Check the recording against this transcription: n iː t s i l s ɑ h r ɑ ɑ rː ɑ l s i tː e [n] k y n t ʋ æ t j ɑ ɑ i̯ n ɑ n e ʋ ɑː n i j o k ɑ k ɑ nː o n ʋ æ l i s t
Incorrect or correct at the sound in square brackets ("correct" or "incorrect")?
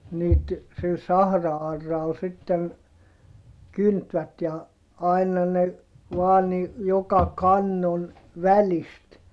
correct